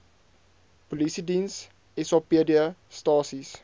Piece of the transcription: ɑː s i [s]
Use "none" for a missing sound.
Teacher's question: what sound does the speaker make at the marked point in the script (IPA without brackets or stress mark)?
s